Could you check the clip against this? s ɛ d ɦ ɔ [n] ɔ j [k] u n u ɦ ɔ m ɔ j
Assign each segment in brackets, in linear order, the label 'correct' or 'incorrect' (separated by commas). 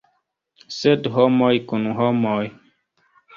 incorrect, correct